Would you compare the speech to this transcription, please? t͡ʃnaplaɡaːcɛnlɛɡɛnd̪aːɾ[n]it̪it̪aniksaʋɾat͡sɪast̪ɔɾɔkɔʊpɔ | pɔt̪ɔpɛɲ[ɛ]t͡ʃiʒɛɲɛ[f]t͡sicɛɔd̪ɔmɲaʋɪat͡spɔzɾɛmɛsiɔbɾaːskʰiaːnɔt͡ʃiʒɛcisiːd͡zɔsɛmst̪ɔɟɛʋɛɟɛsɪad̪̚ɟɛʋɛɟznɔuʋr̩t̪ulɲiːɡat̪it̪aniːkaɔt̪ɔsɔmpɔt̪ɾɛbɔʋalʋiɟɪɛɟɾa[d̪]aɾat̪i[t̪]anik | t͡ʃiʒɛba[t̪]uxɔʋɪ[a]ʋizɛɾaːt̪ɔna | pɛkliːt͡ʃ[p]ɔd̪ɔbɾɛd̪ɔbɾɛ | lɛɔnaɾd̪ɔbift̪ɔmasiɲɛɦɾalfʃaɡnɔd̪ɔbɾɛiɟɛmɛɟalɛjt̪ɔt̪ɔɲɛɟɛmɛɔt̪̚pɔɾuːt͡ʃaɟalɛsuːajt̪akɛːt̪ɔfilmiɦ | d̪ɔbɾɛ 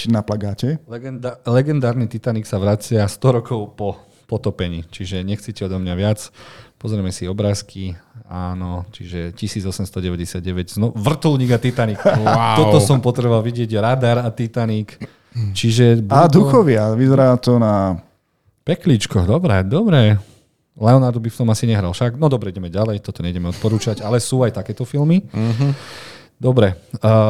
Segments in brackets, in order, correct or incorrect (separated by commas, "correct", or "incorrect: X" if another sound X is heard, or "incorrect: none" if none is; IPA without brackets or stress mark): correct, incorrect: i, incorrect: x, correct, correct, incorrect: d̪, correct, incorrect: k